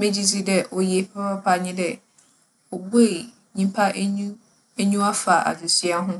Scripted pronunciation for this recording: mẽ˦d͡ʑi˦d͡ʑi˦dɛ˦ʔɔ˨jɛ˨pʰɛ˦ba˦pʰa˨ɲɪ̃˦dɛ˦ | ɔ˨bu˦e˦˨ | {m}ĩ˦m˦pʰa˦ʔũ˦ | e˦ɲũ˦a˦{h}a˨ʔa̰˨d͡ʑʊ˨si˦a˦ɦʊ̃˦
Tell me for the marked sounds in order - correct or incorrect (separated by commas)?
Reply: incorrect, incorrect